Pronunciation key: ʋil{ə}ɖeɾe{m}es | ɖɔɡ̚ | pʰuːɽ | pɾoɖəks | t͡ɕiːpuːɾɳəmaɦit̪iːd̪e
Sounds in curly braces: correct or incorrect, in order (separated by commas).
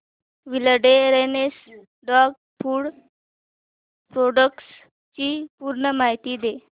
correct, incorrect